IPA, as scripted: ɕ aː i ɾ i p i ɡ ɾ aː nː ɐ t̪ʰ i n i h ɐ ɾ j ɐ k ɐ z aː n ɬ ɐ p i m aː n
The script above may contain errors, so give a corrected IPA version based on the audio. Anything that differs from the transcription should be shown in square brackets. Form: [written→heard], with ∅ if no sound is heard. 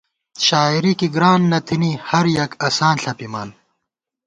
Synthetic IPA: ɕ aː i ɾ i [p→k] i ɡ ɾ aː nː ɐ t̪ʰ i n i h ɐ ɾ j ɐ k ɐ [z→s] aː n ɬ ɐ p i m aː n